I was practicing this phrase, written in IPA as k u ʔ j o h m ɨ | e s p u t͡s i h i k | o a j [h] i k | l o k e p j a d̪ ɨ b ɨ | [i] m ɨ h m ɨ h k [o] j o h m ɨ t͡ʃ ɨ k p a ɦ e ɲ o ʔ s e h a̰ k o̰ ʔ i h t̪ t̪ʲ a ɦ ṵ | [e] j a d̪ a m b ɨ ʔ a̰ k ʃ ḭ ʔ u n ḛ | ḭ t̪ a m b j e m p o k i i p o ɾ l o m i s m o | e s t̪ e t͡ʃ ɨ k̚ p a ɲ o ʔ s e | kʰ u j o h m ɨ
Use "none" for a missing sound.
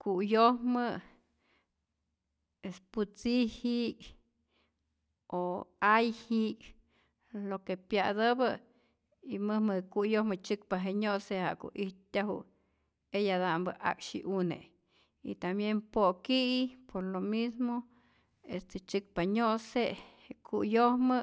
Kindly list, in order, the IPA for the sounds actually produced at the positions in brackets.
h, i, u, e

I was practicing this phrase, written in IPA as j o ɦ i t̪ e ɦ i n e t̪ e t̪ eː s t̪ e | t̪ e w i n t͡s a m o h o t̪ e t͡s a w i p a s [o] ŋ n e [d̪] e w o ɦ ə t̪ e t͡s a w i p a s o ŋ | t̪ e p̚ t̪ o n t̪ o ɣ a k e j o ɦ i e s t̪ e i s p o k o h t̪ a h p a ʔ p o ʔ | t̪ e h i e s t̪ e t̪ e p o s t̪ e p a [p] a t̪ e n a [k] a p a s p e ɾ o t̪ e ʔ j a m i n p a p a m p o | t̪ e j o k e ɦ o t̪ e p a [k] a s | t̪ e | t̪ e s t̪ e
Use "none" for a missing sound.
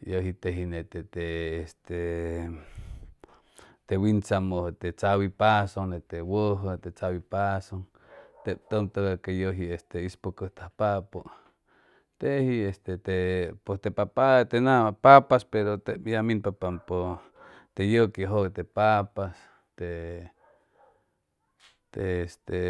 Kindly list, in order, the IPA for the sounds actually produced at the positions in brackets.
o, t̪, p, p, p

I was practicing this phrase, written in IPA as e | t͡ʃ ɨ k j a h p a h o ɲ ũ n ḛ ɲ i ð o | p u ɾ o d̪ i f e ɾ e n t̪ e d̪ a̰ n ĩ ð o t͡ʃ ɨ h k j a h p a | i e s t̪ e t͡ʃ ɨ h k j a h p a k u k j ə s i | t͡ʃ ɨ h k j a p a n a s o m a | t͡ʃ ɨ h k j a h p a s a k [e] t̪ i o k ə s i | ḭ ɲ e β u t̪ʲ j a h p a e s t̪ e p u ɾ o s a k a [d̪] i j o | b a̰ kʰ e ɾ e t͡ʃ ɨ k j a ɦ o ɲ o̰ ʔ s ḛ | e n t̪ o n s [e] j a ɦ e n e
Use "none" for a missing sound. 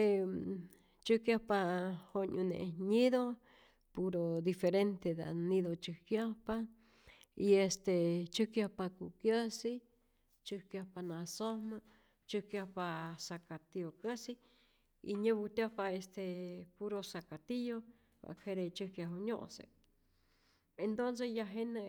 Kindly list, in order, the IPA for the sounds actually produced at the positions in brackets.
a, t̪, e

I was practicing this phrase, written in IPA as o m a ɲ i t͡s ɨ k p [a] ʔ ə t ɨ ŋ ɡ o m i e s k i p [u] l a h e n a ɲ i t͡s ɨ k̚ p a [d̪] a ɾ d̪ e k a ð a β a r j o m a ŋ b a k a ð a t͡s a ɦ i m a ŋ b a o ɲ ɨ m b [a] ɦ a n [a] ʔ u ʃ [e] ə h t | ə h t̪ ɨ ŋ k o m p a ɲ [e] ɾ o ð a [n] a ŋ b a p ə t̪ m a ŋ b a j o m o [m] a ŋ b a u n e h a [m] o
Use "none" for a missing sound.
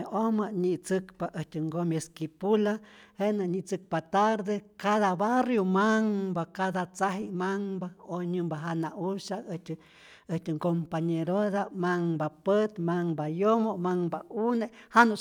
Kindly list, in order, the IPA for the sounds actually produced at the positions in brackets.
a, u, t̪, a, a, a, e, m, m, n

